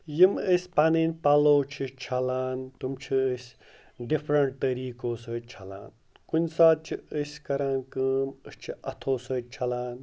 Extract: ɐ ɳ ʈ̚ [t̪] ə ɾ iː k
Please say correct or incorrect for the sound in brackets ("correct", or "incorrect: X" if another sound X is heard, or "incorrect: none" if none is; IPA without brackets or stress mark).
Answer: correct